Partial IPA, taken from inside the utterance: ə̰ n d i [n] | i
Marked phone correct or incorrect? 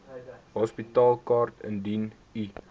correct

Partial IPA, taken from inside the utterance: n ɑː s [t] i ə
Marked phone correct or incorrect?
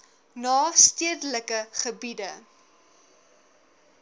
correct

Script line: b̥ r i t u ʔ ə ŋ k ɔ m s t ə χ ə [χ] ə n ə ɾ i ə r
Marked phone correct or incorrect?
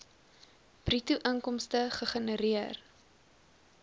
correct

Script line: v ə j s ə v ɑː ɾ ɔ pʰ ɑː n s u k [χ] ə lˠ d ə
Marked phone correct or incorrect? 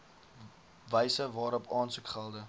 correct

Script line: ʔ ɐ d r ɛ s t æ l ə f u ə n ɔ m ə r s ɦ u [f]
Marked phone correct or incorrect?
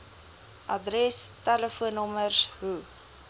incorrect: none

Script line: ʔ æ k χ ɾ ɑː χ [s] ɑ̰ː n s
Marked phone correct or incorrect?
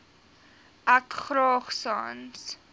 correct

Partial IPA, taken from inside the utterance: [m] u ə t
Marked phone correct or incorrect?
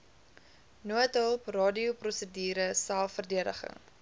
incorrect: n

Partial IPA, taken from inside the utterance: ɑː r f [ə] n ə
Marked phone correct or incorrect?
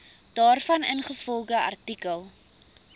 incorrect: ɐ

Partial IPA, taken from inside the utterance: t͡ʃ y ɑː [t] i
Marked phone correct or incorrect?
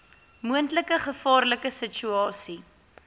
incorrect: s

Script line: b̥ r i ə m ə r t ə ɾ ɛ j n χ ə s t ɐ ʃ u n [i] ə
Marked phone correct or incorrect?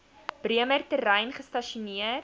correct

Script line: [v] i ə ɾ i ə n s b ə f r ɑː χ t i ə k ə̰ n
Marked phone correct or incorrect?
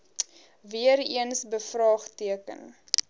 correct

